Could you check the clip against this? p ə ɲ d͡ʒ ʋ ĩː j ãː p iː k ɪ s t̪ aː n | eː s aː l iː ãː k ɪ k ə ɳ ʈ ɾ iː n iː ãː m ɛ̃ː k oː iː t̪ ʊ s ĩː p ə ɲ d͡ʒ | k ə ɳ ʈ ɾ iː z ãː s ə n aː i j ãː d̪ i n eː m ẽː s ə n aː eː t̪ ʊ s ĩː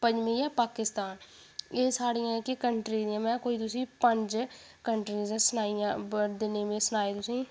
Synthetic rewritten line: p ə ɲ d͡ʒ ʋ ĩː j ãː p aː k ɪ s t̪ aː n | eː s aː ɽ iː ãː k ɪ k ə ɳ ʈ ɾ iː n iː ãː m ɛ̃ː k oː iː t̪ ʊ s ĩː p ə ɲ d͡ʒ | k ə ɳ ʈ ɾ iː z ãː s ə n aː i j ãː d̪ ɪ n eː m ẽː s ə n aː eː t̪ ʊ s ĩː

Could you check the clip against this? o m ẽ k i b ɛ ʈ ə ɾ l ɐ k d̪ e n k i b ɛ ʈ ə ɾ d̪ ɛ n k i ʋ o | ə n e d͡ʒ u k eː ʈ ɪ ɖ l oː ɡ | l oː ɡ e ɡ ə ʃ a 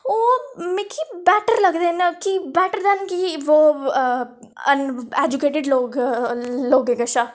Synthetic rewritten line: o m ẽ k i b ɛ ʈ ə ɾ l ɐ ɡ d̪ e n k i b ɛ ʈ ə ɾ d̪ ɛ n k i ʋ o | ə n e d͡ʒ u k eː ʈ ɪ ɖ l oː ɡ | l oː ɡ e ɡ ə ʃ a

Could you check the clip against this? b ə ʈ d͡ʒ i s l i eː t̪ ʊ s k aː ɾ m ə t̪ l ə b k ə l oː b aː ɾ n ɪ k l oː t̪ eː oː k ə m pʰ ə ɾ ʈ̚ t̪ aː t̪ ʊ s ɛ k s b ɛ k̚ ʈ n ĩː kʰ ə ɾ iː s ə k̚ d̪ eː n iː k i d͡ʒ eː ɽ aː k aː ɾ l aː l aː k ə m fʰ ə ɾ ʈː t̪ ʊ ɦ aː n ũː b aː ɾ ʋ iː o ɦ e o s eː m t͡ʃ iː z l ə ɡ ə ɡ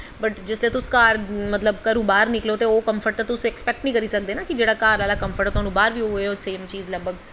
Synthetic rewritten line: b ə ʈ d͡ʒ ɪ s l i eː t̪ ʊ s k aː ɾ m ə t̪ l ə b k ə ɾ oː b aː ɾ n ɪ k l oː t̪ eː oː k ə m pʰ ə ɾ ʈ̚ t̪ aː t̪ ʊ s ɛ k s p ɛ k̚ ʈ n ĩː k ə ɾ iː s ə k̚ d̪ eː n aː k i d͡ʒ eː ɽ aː k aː ɾ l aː l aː k ə m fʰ ə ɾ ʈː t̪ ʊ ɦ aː n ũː b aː ɾ ʋ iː o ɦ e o s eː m t͡ʃ iː z l ə b ə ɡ

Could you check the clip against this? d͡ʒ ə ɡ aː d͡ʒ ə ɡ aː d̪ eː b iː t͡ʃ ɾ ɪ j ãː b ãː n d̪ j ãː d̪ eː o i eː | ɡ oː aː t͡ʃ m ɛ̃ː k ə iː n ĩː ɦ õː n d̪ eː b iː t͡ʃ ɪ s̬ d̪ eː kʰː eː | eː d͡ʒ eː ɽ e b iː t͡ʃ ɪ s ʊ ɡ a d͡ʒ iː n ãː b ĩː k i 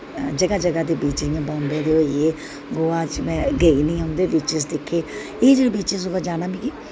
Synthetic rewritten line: d͡ʒ ə ɡ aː d͡ʒ ə ɡ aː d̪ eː b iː t͡ʃ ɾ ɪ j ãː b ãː n d̪ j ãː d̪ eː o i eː | ɡ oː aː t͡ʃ m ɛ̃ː ɡ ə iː n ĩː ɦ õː n d̪ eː b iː t͡ʃ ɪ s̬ d̪ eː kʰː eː | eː d͡ʒ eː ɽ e b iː t͡ʃ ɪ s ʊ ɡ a d͡ʒ aː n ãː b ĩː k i

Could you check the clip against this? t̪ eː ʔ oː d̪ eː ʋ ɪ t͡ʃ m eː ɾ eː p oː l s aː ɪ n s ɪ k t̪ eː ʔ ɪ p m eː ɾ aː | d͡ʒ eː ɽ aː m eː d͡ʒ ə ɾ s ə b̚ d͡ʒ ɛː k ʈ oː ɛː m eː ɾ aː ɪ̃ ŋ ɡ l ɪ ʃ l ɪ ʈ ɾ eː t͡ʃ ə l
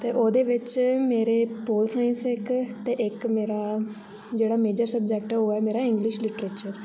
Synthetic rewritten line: t̪ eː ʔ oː d̪ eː ʋ ɪ t͡ʃ m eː ɾ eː p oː l s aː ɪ n s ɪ k t̪ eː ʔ ɪ k m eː ɾ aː | d͡ʒ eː ɽ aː m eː d͡ʒ ə ɾ s ə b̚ d͡ʒ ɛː k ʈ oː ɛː m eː ɾ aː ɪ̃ ŋ ɡ l ɪ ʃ l ɪ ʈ ɾ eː t͡ʃ ə ɾ

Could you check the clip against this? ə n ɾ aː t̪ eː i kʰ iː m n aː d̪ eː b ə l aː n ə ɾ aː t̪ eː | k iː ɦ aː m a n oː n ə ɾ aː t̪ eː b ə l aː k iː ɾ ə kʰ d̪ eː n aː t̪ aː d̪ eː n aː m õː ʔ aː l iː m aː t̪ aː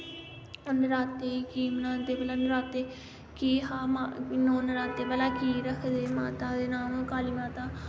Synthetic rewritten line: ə n ɾ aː t̪ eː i k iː m n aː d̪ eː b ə l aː n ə ɾ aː t̪ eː | k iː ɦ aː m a n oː n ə ɾ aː t̪ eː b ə l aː k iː ɾ ə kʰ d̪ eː m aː t̪ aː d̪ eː n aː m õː k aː l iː m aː t̪ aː

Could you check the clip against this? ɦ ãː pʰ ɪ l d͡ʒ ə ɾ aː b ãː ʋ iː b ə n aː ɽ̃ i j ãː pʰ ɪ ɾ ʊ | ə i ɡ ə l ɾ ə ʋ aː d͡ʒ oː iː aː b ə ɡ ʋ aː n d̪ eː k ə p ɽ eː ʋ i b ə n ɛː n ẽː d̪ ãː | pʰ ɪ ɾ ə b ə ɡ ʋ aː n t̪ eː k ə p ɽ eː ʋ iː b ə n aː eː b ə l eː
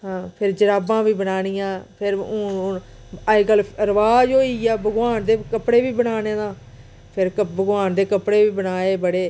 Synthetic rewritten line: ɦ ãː pʰ ɪ ɾ d͡ʒ ə ɾ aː b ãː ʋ iː b ə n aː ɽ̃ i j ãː pʰ ɪ ɾ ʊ | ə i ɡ ə l ɾ ə ʋ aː d͡ʒ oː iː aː b ə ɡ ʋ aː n d̪ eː k ə p ɽ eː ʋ iː b ə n aː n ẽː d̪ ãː | pʰ ɪ ɾ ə b ə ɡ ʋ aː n d̪ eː k ə p ɽ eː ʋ iː b ə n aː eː b ə ɽ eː

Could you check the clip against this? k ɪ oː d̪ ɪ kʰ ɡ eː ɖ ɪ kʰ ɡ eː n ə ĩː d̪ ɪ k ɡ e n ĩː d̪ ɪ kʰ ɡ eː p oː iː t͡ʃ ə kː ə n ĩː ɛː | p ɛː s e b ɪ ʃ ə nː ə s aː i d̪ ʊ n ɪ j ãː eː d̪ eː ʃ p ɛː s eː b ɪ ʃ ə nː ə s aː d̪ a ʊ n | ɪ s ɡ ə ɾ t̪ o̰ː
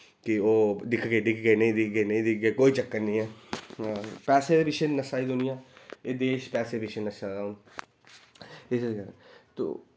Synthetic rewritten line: k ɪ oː d̪ ɪ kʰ ɡ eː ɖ ɪ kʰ ɡ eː n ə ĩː d̪ ɪ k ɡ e n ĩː d̪ ɪ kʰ ɡ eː k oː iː t͡ʃ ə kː ə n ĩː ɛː | p ɛː s e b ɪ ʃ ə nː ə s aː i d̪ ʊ n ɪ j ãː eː d̪ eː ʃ p ɛː s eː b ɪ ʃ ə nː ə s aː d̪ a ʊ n | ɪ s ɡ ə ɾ t̪ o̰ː

